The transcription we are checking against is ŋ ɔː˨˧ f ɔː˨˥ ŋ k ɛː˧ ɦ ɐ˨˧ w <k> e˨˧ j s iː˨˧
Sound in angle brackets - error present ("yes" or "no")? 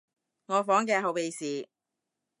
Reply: yes